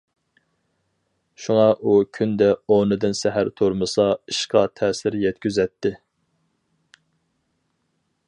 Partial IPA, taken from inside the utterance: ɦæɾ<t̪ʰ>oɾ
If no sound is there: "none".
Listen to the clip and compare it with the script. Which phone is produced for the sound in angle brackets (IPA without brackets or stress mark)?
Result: t̪ʰ